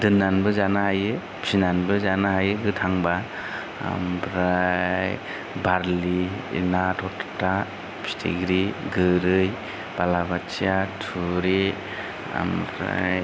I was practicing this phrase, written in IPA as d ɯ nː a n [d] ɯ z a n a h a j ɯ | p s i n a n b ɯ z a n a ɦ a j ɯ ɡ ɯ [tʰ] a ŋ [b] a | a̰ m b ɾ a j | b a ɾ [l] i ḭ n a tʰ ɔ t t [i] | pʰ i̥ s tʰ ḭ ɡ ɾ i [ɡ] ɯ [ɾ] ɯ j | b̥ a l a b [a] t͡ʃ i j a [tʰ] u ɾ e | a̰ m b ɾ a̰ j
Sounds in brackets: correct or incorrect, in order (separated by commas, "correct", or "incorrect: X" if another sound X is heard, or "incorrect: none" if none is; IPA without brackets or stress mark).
incorrect: b, correct, correct, correct, incorrect: a, correct, correct, correct, correct